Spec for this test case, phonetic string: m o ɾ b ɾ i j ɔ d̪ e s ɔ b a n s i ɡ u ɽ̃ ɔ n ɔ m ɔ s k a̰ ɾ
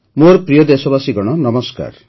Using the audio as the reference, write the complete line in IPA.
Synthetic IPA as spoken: m o ɾ p ɾ i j ɔ d̪ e s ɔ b a s i ɡ ɔ ɽ̃ ɔ n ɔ m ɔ s k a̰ ɾ